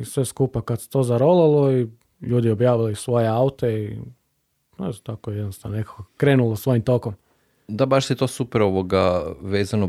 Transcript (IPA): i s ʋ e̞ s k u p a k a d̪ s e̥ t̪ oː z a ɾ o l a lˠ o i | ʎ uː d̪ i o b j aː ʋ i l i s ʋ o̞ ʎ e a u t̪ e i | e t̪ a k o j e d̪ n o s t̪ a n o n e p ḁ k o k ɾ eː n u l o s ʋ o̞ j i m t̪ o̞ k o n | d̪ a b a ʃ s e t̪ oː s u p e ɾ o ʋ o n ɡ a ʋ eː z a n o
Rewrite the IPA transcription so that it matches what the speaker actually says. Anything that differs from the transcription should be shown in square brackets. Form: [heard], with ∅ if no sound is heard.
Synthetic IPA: i s ʋ e̞ s k u p a k a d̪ s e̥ t̪ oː z a ɾ o l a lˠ o i | ʎ uː d̪ i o b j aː ʋ i l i s ʋ o̞ [j] e a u t̪ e i | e t̪ a k o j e d̪ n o s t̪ a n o n e [k] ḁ k o k ɾ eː n u l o s ʋ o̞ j i m t̪ o̞ k o [m] | d̪ a b a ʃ s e t̪ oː s u p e ɾ o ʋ o [∅] ɡ a ʋ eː z a n o